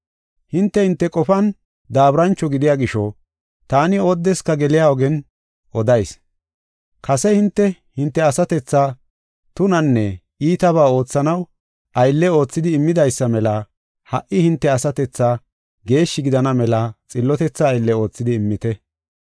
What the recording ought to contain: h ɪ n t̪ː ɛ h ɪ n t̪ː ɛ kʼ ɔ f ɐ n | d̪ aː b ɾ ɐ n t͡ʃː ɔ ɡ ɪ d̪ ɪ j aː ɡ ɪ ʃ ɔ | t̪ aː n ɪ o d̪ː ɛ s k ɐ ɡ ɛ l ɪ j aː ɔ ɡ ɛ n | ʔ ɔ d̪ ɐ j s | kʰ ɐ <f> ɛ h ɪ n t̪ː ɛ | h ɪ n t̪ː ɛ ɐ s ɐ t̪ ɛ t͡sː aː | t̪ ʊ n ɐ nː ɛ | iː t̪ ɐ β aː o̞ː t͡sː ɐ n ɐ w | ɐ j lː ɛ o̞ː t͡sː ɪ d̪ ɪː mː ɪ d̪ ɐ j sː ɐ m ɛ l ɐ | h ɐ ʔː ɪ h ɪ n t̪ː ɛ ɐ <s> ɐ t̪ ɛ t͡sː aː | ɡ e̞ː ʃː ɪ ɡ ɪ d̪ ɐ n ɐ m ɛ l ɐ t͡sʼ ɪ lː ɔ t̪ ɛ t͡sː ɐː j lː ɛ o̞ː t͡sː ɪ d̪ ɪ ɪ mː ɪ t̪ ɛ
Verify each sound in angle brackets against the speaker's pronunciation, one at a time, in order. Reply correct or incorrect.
incorrect: s, correct

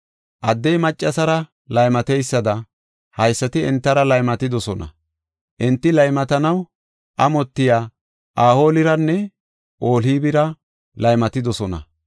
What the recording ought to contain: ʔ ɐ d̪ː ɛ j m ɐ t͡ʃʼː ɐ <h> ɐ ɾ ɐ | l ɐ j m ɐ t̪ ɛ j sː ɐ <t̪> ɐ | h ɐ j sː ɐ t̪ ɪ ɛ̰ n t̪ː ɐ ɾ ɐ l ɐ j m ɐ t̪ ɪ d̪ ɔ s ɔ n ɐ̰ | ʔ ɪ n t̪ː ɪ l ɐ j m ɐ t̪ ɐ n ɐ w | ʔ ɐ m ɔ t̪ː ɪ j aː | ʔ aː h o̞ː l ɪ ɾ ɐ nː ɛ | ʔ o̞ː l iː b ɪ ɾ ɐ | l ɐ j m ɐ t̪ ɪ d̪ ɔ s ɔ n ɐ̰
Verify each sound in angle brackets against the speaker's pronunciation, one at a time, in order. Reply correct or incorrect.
incorrect: s, incorrect: d̪

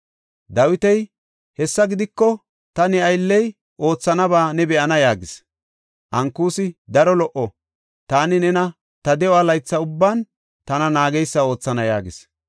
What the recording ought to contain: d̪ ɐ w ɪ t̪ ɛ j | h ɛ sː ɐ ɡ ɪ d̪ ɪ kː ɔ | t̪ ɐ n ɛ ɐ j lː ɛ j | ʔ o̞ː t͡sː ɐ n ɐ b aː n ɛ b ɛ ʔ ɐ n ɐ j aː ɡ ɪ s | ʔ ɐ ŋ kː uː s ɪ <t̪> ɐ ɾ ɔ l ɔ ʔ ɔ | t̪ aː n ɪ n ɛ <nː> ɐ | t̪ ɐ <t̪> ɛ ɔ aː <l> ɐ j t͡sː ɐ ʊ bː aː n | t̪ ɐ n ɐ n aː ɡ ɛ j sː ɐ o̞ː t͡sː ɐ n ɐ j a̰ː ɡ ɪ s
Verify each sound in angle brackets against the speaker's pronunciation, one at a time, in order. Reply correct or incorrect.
incorrect: d̪, incorrect: n, incorrect: d̪, correct

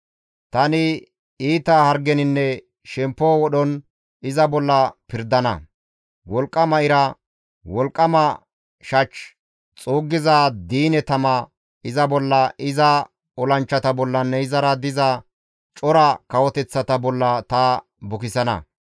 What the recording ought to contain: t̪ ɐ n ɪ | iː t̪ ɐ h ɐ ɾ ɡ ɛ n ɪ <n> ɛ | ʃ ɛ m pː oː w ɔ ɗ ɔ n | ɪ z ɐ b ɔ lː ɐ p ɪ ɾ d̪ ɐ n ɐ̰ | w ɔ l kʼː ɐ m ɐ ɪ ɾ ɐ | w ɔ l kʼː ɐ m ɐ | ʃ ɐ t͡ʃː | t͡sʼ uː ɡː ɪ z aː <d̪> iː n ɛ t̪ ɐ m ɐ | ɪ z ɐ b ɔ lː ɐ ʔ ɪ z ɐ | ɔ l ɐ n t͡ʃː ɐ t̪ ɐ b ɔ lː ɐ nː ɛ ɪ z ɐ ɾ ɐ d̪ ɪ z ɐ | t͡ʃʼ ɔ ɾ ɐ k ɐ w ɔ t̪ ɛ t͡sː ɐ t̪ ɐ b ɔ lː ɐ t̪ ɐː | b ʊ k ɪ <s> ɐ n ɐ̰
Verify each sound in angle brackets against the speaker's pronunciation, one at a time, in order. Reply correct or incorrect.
incorrect: nː, correct, correct

